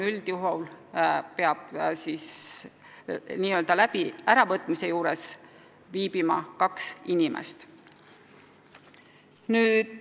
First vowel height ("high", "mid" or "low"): high